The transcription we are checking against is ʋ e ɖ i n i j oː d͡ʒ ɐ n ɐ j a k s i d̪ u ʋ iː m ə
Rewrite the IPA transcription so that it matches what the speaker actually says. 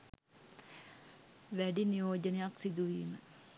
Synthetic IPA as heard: ʋ æ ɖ i n i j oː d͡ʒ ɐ n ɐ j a k s i d̪ u ʋ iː m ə